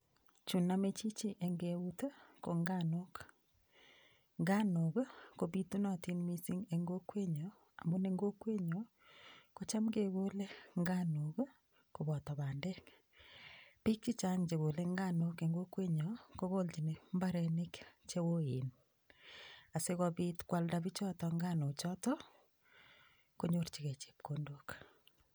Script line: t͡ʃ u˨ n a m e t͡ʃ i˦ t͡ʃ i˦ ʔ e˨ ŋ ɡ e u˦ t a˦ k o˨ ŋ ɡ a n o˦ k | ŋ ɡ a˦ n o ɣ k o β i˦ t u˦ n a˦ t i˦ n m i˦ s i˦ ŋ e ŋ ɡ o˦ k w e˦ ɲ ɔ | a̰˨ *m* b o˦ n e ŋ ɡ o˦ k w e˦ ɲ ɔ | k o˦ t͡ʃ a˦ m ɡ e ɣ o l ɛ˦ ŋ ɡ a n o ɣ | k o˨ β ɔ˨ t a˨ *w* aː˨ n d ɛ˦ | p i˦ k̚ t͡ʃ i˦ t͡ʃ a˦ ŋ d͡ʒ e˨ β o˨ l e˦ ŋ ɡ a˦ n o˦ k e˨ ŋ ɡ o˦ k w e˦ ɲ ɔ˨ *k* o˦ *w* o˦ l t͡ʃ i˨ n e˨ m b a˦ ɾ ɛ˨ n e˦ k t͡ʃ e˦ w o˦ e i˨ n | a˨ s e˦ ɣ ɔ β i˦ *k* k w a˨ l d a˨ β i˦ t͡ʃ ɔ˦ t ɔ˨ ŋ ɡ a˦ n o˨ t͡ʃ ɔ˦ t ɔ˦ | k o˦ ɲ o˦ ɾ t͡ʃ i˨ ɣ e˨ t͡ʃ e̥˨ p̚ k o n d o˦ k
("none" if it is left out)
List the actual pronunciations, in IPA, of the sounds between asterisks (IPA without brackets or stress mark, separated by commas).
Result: m, β, k, ɣ, t